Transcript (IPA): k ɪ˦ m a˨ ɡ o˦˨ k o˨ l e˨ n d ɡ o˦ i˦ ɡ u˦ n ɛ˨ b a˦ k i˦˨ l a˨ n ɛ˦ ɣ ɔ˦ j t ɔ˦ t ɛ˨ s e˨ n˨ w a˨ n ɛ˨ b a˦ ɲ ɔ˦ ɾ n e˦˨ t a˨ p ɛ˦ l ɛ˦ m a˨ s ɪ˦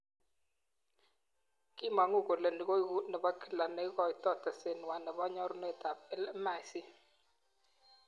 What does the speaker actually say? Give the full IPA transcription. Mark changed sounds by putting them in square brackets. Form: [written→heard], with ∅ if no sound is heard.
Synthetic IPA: k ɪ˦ m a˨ [ɡ→ŋ] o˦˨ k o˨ l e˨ n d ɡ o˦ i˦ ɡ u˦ n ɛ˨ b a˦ k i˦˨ l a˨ n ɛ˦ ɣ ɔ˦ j t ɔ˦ t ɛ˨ s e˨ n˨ w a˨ n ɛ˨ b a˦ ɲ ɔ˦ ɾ n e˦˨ t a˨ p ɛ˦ l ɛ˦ m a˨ s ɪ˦

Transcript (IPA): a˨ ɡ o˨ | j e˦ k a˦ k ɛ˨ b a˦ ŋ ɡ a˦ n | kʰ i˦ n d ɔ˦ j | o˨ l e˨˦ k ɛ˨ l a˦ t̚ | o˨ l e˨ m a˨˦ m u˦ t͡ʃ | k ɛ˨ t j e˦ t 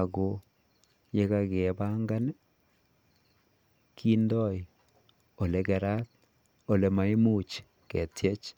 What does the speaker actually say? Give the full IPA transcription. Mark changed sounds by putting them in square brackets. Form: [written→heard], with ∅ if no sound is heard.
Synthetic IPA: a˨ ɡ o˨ | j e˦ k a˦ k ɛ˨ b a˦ ŋ ɡ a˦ n | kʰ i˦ n d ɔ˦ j | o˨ l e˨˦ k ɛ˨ [l→ɾ] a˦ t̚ | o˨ l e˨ m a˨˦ m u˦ t͡ʃ | k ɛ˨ t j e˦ [t→t͡ʃ]

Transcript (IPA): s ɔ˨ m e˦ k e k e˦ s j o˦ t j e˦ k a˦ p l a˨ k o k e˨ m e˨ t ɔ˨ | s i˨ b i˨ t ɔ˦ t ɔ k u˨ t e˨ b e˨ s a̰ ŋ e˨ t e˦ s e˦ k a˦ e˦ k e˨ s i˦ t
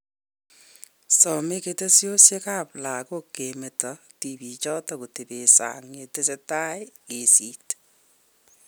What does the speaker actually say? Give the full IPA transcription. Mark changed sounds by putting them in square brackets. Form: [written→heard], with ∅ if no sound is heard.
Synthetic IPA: s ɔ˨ m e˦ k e [k→t] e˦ s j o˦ [t→s] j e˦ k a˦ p l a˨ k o k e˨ m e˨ t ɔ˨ | [s→t] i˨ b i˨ [t→t͡ʃ] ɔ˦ t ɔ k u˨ t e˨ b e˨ s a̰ ŋ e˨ t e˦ s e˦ [k→t] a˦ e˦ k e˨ s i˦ t

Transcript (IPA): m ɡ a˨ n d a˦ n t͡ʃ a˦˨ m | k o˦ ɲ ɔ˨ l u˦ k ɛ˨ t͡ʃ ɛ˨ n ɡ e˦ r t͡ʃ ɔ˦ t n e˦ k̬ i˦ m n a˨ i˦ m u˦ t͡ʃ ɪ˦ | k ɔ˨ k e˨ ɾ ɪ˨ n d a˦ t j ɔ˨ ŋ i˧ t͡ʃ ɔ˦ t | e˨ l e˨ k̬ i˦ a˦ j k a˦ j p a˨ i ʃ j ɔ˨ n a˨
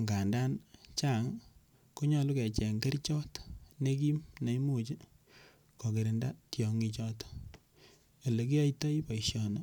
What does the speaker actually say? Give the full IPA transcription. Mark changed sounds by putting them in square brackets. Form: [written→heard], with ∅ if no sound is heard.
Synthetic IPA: [m→ŋ] ɡ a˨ n d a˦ n t͡ʃ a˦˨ [m→ŋ] | k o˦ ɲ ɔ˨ l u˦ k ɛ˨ t͡ʃ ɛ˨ [n→ŋ] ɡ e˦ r t͡ʃ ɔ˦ t n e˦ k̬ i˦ m n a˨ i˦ m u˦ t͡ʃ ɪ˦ | k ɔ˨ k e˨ ɾ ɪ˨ n d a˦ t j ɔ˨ ŋ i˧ t͡ʃ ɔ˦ t | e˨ l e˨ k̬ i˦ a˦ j [k→t] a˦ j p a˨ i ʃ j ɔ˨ n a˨

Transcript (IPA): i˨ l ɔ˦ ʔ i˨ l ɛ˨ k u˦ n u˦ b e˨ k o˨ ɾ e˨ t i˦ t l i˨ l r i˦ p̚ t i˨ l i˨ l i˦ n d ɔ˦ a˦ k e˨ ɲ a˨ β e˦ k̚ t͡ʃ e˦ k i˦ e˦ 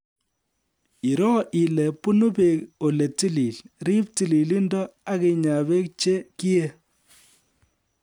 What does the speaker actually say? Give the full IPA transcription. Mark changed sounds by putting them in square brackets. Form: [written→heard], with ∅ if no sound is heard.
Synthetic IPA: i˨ [l→ɾ] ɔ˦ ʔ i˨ l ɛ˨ [k→p] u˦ n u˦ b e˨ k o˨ [ɾ→l] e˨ t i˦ [t→∅] l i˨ l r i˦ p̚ t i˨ l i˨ l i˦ n d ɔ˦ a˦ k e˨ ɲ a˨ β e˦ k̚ t͡ʃ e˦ k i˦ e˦

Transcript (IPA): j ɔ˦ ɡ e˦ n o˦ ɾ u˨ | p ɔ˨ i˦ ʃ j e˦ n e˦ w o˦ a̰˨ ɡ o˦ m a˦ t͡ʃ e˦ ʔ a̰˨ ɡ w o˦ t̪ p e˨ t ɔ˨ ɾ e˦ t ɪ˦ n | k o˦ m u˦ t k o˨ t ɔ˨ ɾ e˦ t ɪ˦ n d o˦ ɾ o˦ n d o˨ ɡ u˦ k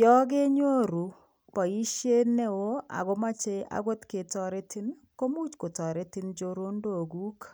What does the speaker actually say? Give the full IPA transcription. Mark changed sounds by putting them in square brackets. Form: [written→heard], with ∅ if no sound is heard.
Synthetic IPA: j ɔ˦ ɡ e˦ [n→ɲ] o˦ ɾ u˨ | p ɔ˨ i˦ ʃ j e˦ n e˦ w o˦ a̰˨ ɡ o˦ m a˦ t͡ʃ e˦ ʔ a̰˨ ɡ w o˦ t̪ [p→k] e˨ t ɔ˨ ɾ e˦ t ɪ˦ n | k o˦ m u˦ [t→t͡ʃ] k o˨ t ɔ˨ ɾ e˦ t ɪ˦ n [d→d͡ʒ] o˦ ɾ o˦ n d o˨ ɡ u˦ k

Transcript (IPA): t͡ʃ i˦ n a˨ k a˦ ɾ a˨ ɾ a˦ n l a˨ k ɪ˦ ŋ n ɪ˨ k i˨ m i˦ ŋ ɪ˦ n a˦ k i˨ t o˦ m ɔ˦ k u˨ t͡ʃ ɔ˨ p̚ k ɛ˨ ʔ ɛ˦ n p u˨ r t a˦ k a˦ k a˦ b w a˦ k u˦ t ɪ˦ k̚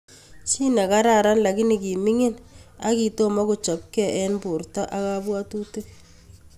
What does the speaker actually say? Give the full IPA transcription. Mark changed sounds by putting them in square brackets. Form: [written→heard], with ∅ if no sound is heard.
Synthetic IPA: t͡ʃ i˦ n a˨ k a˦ ɾ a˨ ɾ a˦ n l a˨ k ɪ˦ [ŋ→∅] n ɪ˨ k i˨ m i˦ ŋ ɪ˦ n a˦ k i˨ t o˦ m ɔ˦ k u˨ t͡ʃ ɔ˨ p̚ k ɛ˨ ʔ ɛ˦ n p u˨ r t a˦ [k→ʔ] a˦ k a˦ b w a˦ [k→t] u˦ t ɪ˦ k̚

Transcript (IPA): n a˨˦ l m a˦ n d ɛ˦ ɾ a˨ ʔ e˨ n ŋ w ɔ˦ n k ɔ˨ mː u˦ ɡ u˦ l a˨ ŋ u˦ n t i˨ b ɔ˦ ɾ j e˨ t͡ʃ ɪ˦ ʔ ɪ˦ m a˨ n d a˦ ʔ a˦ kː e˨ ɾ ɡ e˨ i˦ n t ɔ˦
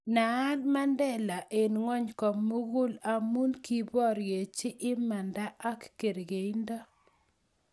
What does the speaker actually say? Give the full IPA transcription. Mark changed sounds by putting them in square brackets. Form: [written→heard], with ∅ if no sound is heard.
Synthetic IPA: n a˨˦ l m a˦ n d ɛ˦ [ɾ→l] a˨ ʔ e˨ n ŋ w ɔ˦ [n→ɲ] k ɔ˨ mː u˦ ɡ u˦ l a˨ [ŋ→m] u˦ n [t→k] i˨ b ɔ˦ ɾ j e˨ t͡ʃ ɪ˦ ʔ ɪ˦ m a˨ n d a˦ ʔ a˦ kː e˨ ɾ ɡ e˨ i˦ n [t→d] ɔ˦

